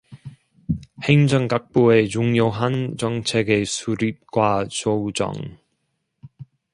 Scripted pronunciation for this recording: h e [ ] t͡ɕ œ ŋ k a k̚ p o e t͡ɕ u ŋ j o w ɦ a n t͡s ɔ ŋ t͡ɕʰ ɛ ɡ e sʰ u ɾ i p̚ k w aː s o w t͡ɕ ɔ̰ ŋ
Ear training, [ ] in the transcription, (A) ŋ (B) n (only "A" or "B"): A